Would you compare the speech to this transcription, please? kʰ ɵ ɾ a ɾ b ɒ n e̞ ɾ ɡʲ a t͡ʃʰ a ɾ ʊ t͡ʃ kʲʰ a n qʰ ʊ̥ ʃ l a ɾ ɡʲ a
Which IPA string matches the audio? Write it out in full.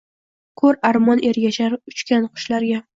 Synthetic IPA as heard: kʰ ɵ ɾ a ɾ m ɒ n e̞ ɾ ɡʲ a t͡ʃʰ a ɾ ʊ t͡ʃ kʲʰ a n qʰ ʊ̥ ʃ l a ɾ ɡʲ a